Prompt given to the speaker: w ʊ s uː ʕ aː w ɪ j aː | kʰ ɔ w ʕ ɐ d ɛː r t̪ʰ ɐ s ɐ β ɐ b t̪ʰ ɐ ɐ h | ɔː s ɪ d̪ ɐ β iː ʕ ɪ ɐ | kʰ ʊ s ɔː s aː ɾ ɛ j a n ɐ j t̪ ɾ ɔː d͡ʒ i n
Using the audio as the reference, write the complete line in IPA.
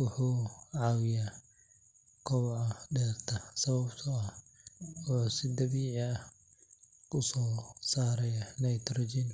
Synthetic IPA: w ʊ ħ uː ʕ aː w ɪ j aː | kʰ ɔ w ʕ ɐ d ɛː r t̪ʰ ɐ s ɐ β ɐ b t̪ʰ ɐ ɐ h | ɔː s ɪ d̪ ɐ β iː ʕ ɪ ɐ | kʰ ʊ s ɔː s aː ɾ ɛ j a n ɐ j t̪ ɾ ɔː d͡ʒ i n

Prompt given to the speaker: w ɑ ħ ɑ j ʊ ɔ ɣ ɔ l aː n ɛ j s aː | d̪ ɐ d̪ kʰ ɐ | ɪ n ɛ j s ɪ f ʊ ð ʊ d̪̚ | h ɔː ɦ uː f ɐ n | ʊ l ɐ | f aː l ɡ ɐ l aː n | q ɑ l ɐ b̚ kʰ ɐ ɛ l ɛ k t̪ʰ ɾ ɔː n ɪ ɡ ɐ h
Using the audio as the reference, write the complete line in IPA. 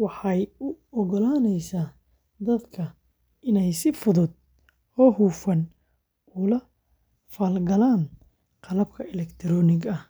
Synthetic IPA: w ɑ ħ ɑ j ʊ ɔ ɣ ɔ l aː n ɛ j s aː | d̪ ɐ d̪ kʰ ɐ | ɪ n ɛ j s ɪ f ʊ ð ʊ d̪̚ | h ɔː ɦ uː f ɐ n | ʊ l ɐ | f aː l ɡ ɐ l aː n | q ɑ l ɐ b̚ kʰ ɐ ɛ l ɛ k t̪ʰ ɾ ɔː n ɪ ɡ ɐ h

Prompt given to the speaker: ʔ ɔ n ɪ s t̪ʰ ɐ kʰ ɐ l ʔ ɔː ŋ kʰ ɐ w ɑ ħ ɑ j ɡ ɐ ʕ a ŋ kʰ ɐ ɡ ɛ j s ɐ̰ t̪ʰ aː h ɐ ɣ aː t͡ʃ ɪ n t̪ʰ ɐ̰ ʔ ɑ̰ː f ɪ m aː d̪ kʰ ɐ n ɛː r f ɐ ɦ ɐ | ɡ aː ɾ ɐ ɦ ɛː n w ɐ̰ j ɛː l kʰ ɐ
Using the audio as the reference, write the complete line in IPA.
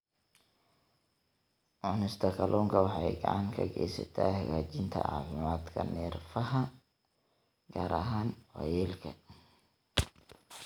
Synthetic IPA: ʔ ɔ n ɪ s t̪ʰ ɐ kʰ ɐ l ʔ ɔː ŋ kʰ ɐ w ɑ ħ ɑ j ɡ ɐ ʕ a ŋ kʰ ɐ ɡ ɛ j s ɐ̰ t̪ʰ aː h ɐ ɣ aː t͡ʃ ɪ n t̪ʰ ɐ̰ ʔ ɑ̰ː f ɪ m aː d̪ kʰ ɐ n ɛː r f ɐ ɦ ɐ | ɡ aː ɾ ɐ ɦ aː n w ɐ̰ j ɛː l kʰ ɐ

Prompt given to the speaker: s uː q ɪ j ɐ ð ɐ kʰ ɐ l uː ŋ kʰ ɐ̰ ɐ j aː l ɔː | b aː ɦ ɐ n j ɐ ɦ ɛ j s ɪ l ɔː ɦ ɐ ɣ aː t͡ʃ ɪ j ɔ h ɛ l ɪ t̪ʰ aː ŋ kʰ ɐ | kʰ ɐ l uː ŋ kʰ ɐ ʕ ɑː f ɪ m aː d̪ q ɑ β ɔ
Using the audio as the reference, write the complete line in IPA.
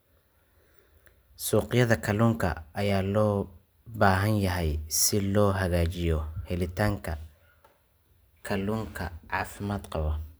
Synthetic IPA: s uː q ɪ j ɐ ð ɐ kʰ ɐ l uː ŋ kʰ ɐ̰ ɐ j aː l ɔː | b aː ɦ ɐ n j ɐ ɦ ɛ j s ɪ l ɔː ɦ ɐ ɣ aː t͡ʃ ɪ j ɔ h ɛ l ɪ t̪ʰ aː ŋ kʰ ɐ | kʰ ɐ l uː ŋ kʰ ɐ ʕ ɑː f ɪ m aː d̪ q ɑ β ɔ

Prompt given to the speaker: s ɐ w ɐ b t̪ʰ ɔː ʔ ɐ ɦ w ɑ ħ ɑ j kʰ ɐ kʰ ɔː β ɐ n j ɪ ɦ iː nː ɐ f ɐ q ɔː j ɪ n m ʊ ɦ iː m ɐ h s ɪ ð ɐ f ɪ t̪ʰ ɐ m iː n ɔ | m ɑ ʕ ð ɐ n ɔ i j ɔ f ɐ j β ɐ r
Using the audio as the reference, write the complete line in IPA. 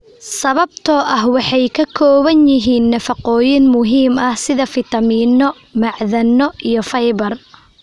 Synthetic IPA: s ɐ β ɐ b t̪ʰ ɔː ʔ ɐ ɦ w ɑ ħ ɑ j kʰ ɐ kʰ ɔː β ɐ n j ɪ ɦ iː nː ɐ f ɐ q ɔː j ɪ n m ʊ ɦ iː m ɐ h s ɪ ð ɐ f ɪ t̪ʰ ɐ m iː n ɔ | m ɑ ʕ ð ɐ n ɔ i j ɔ f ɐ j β ɐ r

